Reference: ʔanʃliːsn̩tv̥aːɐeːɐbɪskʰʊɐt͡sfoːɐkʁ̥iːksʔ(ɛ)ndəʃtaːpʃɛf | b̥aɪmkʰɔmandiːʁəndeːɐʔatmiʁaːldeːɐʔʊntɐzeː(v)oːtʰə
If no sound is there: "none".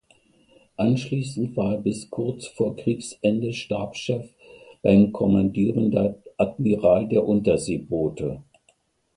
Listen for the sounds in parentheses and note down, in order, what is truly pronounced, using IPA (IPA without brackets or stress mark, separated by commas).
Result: ɛ, b